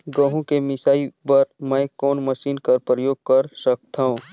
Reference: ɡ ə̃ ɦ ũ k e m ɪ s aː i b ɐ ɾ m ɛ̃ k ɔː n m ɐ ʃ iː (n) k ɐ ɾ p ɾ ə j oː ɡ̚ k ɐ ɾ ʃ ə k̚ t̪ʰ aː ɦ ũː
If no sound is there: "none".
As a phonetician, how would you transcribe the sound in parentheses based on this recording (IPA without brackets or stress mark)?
n